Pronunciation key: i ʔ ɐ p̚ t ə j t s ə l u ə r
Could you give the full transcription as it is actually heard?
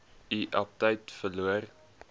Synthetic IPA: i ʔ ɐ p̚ t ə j t f ə l u ə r